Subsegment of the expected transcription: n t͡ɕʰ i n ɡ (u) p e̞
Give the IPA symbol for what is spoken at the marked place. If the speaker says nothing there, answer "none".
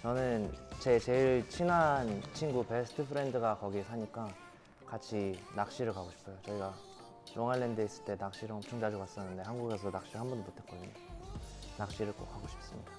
u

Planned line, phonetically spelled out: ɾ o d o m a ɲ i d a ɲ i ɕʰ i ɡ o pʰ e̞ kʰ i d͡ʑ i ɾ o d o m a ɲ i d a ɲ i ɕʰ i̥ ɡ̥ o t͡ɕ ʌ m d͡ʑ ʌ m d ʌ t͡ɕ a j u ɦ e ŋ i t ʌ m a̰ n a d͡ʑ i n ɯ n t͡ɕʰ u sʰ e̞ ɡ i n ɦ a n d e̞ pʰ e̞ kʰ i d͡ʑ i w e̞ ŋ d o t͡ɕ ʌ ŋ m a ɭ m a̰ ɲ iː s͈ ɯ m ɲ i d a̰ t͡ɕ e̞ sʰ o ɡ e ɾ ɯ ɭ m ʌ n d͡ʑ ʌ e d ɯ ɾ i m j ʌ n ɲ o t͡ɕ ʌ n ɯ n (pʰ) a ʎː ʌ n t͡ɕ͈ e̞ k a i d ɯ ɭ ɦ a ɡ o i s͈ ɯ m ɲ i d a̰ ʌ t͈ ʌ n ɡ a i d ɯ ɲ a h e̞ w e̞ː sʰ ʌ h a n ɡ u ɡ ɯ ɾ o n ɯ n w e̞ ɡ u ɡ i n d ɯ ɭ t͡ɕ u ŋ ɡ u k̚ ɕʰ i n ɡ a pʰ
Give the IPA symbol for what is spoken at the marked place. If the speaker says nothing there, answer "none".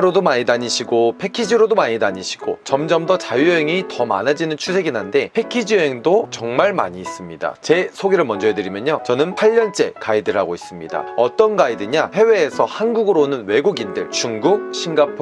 pʰ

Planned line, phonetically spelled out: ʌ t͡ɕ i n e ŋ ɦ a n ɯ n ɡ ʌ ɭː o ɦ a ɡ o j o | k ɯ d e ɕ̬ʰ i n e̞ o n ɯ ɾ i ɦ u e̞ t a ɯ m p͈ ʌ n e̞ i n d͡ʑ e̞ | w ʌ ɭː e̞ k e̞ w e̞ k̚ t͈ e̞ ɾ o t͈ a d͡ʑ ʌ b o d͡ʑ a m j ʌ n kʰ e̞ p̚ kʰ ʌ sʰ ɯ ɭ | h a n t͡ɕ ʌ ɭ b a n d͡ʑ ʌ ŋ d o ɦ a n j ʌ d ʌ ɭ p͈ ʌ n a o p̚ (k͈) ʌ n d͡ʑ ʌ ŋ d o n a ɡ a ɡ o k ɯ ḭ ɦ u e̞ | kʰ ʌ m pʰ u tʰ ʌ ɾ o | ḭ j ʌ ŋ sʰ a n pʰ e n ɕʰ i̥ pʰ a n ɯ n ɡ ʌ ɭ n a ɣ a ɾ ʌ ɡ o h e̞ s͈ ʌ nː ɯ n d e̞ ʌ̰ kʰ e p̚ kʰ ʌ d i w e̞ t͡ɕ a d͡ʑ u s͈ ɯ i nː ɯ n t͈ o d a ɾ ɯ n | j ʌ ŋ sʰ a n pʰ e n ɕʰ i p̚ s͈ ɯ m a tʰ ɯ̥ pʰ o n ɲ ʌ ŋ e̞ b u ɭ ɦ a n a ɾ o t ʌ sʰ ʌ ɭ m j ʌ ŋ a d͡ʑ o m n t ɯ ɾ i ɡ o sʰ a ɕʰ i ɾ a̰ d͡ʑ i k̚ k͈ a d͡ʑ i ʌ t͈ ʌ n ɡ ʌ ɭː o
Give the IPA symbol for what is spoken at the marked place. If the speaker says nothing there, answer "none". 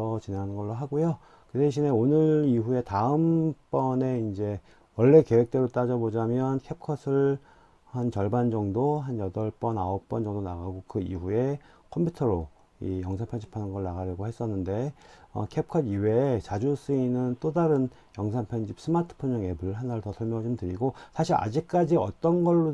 p͈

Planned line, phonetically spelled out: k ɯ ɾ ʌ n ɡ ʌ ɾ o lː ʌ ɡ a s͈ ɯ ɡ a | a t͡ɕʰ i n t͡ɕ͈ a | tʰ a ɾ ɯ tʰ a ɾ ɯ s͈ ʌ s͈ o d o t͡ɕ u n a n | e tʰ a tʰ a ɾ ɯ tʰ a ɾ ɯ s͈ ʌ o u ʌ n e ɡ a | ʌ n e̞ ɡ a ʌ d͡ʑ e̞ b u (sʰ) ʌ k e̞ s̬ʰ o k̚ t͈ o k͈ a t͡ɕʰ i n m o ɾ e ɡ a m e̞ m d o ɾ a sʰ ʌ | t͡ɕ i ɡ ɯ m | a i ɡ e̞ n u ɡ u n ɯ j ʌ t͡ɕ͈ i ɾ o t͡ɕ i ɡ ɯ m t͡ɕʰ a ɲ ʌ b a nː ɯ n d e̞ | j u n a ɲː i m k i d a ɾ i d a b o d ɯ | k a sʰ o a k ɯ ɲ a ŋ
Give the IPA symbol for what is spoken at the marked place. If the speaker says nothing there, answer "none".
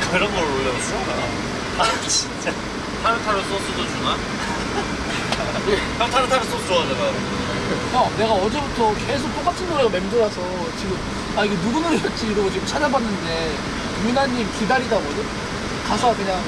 tʰ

